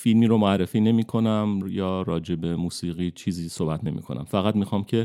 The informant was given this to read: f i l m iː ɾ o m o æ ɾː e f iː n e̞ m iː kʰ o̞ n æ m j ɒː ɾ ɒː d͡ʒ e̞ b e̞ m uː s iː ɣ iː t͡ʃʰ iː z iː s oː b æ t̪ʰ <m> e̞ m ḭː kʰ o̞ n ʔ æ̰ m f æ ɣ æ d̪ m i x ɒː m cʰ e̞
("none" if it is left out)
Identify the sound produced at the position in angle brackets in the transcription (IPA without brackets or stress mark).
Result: n